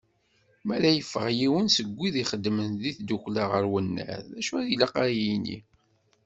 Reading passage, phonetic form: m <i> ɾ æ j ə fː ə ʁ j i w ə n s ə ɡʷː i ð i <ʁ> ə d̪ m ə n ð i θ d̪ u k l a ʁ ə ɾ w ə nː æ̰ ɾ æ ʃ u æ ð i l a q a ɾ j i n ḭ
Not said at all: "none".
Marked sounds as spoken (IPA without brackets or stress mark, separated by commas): æ, χ